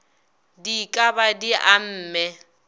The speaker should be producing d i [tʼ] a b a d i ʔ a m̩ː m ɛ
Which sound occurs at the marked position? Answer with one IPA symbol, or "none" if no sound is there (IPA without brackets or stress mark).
kʼ